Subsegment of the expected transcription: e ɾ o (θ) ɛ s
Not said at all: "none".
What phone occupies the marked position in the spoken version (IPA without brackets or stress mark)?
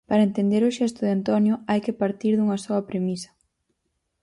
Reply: ʃ